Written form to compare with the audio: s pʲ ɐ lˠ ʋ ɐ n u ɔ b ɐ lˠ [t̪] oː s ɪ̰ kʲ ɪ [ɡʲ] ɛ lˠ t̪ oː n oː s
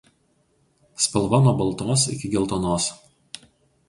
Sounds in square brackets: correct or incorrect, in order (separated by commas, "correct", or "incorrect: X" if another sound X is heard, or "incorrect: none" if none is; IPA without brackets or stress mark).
correct, correct